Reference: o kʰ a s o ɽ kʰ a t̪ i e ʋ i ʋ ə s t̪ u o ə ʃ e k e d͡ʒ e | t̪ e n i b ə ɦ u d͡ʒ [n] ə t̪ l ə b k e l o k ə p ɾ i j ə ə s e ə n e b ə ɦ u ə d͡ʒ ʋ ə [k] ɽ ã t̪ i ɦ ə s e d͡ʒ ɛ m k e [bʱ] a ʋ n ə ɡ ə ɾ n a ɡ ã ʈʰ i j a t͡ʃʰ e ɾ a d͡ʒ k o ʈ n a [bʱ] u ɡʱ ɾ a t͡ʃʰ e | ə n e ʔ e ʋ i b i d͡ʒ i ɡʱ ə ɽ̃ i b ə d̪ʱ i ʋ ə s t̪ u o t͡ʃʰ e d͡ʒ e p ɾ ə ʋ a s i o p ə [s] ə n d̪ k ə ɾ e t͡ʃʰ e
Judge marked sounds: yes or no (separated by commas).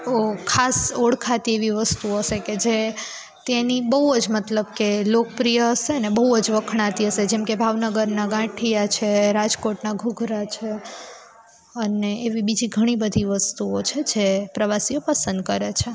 no, no, yes, no, yes